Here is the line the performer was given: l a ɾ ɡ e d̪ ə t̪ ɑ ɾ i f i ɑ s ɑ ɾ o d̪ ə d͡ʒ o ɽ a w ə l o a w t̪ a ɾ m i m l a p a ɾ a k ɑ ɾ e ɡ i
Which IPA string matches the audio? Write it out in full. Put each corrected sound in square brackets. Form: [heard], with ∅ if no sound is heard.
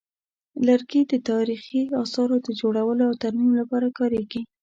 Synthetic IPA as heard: l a ɾ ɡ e d̪ ə t̪ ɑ ɾ i [x] i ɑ s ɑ ɾ o d̪ ə d͡ʒ o ɽ a w ə l o a w t̪ a ɾ m i m l a p [ɑ] ɾ a k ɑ ɾ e ɡ i